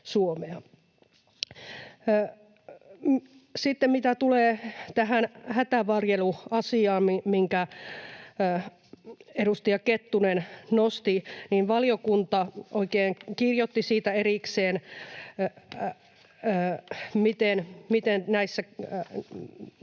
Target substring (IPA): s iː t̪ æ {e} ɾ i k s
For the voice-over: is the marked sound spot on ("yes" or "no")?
yes